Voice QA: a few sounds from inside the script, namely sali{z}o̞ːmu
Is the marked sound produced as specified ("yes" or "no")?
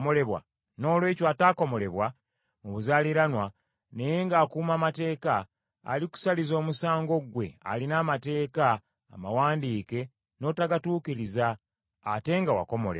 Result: yes